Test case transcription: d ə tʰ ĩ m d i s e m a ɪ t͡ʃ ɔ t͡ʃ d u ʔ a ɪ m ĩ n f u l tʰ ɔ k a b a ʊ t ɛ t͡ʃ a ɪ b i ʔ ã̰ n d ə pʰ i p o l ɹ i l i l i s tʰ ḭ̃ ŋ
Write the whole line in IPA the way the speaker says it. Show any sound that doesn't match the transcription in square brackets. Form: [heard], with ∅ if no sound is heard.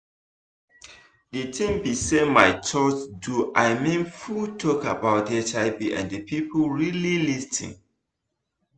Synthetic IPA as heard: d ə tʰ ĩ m [b] i s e m a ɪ t͡ʃ ɔ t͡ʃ d u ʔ a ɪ m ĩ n f u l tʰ ɔ k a b a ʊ t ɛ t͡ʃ a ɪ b i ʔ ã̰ n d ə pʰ i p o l ɹ i l i l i s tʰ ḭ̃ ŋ